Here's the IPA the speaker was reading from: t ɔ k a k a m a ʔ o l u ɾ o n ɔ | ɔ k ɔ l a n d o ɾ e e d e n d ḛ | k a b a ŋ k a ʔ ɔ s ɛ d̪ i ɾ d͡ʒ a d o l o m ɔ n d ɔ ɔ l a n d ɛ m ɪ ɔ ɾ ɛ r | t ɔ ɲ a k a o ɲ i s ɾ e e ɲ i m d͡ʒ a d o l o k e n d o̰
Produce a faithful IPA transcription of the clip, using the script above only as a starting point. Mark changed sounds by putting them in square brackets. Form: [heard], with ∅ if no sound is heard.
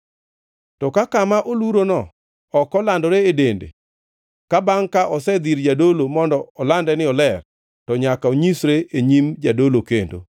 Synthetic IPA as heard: t ɔ k a k a m a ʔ o l u ɾ o n ɔ | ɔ k ɔ l a n d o ɾ e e d e n d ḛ | k a b a ŋ k a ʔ ɔ s ɛ d̪ i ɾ d͡ʒ a d o l o m ɔ n d ɔ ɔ l a n d ɛ [n] ɪ ɔ [l] ɛ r | t ɔ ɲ a k a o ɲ i s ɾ e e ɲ i m d͡ʒ a d o l o k e n d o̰

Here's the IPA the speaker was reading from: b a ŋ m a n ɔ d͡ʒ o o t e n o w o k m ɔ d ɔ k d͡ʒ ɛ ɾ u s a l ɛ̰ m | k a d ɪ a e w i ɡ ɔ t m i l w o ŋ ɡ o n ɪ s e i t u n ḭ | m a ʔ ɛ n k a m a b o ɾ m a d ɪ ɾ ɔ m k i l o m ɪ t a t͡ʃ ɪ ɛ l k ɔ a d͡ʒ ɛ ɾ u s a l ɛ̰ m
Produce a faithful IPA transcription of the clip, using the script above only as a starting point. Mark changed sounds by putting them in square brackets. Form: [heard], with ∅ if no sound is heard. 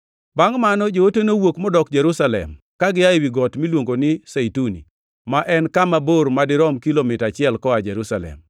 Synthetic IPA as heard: b a ŋ m a n ɔ d͡ʒ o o t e n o w o k m ɔ d ɔ k d͡ʒ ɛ ɾ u s a l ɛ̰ m | k a [ɡ] ɪ a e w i ɡ ɔ t m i l w o ŋ ɡ o n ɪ s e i t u n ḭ | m a ʔ ɛ n k a m a b o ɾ m a d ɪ ɾ ɔ m k i l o m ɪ t a t͡ʃ ɪ ɛ l k ɔ a d͡ʒ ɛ ɾ u s a l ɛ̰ m

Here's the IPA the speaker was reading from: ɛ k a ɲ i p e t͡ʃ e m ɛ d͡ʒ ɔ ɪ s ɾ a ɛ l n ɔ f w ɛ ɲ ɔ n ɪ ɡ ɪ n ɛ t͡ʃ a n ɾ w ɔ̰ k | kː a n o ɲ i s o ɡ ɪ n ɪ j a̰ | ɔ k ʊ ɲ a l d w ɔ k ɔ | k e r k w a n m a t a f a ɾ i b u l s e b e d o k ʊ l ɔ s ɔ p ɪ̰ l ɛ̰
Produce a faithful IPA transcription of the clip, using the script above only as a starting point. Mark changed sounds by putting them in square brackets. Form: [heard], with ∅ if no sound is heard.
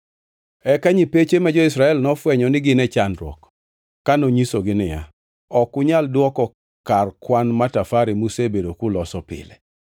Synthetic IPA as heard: ɛ k a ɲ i p e t͡ʃ e m ɛ d͡ʒ ɔ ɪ s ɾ a ɛ l n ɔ f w ɛ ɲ ɔ n ɪ ɡ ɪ n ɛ t͡ʃ a n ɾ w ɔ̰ k | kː a n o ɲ i s o ɡ ɪ n ɪ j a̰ | ɔ k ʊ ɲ a l d w ɔ k ɔ | k [a] r k w a n m a t a f a ɾ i [m] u [∅] s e b e d o k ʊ l ɔ s ɔ p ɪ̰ l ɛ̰

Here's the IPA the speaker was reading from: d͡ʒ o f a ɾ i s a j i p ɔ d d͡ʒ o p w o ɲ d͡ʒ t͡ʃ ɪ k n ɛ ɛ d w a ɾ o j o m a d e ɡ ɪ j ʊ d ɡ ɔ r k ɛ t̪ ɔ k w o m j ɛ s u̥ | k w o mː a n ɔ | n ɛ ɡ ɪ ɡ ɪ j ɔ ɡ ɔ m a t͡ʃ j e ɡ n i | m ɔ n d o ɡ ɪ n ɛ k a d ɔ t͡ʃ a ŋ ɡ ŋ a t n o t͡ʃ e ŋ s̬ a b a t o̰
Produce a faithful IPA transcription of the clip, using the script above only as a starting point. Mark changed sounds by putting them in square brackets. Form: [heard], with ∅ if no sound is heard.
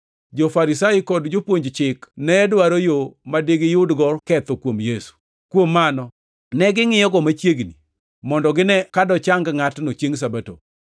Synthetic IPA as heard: d͡ʒ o f a ɾ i s a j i [k] ɔ d d͡ʒ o p w o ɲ d͡ʒ t͡ʃ ɪ k n ɛ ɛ d w a ɾ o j o m a d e ɡ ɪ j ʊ d ɡ ɔ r k ɛ t̪ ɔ k w o m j [e] s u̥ | k w o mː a n ɔ | n ɛ ɡ ɪ [ŋ] ɪ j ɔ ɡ ɔ m a t͡ʃ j e ɡ n i | m ɔ n d [ɔ] ɡ ɪ n ɛ k a d ɔ t͡ʃ a ŋ ɡ ŋ a t n o t͡ʃ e ŋ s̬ a b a t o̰

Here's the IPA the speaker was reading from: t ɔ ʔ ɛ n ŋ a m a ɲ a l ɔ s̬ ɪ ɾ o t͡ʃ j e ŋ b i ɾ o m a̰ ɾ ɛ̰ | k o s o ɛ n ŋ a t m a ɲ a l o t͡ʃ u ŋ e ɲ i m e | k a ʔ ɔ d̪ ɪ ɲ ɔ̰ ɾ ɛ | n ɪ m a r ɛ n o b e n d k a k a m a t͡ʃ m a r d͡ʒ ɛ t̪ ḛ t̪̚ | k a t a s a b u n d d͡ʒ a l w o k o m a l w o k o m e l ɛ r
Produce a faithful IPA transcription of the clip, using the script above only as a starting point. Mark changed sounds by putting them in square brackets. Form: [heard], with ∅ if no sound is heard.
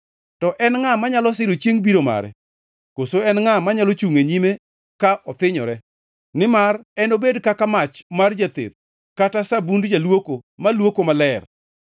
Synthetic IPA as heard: t ɔ ʔ ɛ n ŋ a m a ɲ a l ɔ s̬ ɪ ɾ o t͡ʃ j e ŋ b i ɾ o m a̰ ɾ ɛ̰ | k o s o ɛ n ŋ a [∅] m a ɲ a l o t͡ʃ u ŋ e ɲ i m e | k a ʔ ɔ [t̪] ɪ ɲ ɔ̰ ɾ ɛ | n ɪ m a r ɛ n o b e [∅] d k a k a m a t͡ʃ m a r d͡ʒ [a] t̪ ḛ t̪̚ | k a t a s a b u n d d͡ʒ a l w o k o m a l w o k o m [a] l ɛ r

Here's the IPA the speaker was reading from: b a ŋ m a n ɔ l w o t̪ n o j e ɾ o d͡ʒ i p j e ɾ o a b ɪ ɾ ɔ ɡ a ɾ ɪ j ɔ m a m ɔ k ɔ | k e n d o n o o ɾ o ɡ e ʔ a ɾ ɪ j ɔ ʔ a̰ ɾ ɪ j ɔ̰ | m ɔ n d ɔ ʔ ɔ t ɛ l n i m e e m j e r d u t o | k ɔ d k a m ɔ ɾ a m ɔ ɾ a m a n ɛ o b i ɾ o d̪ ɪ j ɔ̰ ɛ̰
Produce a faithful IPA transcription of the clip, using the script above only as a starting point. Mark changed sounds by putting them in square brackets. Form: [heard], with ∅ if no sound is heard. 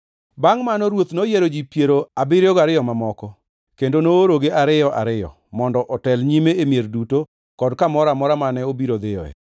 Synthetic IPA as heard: b a ŋ m a n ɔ [ɾ] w o t̪ n o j e ɾ o d͡ʒ i p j e ɾ o a b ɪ ɾ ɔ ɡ a ɾ ɪ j ɔ m a m ɔ k ɔ | k e n d o n o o ɾ o ɡ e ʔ a ɾ ɪ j ɔ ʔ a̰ ɾ ɪ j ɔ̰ | m ɔ n d ɔ ʔ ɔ t ɛ l [ɲ] i m e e m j e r d u t o | k ɔ d k a m ɔ ɾ a m ɔ ɾ a m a n ɛ o b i ɾ o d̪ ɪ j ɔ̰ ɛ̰

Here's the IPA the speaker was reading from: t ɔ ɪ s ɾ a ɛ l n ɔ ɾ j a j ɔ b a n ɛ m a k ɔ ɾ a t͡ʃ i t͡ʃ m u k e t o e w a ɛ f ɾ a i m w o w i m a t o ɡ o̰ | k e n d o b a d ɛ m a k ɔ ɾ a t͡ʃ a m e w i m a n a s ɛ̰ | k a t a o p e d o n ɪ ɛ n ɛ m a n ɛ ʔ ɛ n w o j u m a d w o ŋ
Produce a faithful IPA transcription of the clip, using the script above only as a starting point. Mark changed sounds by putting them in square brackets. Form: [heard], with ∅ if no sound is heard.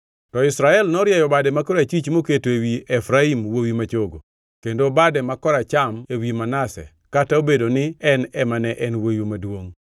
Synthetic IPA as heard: t ɔ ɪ s ɾ a ɛ l n ɔ ɾ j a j ɔ b a [d] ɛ m a k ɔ ɾ a t͡ʃ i t͡ʃ m [o] k e t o e w [i] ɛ f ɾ a i m w o w i m a [t͡ʃ] o ɡ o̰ | k e n d o b a d ɛ m a k ɔ ɾ a t͡ʃ a m e w i m a n a s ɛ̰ | k a t a o [b] e d o n ɪ ɛ n ɛ m a n ɛ ʔ ɛ n w o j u m a d w o ŋ

